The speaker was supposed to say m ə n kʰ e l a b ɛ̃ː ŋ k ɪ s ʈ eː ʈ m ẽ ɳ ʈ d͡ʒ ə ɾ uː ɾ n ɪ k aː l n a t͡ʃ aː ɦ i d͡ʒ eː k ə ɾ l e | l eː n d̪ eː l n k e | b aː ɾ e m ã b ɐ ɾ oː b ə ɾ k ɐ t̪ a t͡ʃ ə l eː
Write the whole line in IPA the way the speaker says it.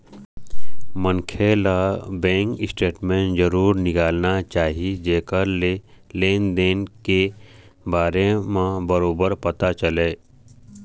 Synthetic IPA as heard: m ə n kʰ e l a b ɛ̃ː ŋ k ɪ s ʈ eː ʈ m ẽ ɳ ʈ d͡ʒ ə ɾ uː ɾ n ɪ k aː l n a t͡ʃ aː ɦ i d͡ʒ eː k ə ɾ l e | l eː n d̪ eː n k e | b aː ɾ e m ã b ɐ ɾ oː b ə ɾ p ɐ t̪ a t͡ʃ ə l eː